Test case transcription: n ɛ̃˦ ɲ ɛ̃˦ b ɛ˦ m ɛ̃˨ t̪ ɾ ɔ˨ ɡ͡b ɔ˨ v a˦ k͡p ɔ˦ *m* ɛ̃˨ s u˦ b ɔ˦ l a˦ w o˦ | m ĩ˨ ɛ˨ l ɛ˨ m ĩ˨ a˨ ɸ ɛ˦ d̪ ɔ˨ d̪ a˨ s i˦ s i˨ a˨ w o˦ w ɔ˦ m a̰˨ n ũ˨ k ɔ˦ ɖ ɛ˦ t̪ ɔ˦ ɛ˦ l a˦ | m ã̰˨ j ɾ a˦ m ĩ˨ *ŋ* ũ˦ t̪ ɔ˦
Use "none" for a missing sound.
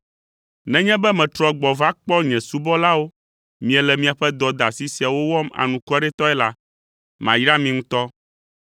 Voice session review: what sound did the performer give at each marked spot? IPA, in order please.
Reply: ɲ, ŋ

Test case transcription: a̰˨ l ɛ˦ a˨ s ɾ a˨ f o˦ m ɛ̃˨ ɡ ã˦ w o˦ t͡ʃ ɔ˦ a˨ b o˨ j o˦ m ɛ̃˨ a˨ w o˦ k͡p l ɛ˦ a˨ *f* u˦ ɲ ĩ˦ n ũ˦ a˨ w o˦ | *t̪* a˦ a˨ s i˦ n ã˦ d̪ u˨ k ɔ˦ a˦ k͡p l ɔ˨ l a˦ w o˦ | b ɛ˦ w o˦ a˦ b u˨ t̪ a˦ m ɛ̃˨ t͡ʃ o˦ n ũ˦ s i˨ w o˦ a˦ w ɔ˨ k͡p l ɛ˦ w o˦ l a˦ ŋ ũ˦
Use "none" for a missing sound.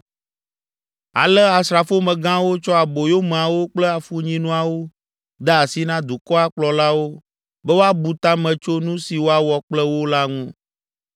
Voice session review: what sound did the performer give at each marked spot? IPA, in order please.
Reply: f, d̪

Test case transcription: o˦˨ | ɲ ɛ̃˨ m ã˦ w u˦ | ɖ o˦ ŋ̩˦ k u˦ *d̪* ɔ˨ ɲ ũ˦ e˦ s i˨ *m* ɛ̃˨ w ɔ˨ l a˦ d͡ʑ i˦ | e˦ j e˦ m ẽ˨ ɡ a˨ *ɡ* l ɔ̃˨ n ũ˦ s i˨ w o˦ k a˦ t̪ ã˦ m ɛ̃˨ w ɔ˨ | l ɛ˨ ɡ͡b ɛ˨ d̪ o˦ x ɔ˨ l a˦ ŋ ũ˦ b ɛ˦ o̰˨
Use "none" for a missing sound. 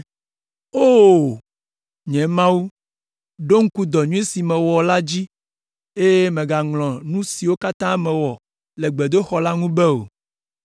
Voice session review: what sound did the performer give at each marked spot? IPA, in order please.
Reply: d̪, m, ŋ

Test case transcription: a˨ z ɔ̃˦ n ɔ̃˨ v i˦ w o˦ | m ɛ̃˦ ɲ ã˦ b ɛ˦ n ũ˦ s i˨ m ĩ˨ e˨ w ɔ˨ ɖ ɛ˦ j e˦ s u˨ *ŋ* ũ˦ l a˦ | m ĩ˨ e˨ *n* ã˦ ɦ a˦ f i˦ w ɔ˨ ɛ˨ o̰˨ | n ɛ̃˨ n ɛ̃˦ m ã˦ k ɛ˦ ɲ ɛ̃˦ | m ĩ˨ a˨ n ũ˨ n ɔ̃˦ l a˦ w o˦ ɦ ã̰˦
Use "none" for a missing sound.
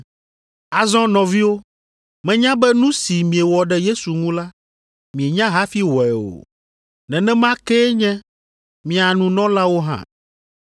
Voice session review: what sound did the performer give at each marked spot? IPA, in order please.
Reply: ŋ, ɲ

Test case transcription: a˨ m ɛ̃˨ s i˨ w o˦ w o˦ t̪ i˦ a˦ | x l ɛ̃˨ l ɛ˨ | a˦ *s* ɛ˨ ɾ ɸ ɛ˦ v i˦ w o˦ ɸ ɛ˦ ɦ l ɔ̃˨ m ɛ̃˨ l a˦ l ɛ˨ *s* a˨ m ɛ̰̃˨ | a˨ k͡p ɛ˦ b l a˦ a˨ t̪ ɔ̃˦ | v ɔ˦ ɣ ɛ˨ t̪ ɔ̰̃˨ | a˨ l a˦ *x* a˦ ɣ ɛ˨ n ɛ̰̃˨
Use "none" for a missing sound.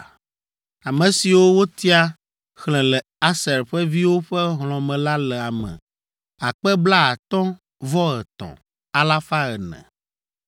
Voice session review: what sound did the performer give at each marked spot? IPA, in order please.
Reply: s, none, f

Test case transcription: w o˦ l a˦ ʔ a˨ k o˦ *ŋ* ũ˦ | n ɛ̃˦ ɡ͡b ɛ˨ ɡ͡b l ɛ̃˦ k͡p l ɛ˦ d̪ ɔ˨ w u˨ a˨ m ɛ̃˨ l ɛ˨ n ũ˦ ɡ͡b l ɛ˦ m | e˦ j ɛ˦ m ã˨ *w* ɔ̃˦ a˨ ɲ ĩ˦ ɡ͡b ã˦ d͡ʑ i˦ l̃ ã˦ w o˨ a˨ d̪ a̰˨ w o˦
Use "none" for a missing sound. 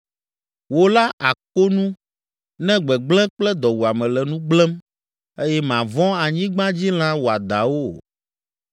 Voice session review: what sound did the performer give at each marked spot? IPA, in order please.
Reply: n, v

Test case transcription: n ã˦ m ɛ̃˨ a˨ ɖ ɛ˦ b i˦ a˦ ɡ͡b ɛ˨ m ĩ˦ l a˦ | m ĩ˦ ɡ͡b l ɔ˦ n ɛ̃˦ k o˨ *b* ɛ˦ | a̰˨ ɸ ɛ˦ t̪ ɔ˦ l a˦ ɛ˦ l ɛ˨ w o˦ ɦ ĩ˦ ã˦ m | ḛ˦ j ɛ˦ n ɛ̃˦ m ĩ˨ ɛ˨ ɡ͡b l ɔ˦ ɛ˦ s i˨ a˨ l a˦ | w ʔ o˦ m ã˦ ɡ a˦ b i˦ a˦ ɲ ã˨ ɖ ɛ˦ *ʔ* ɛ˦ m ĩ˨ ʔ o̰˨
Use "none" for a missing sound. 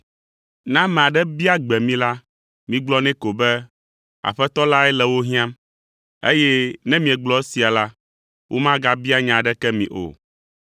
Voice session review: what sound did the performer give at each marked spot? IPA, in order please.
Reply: b, k

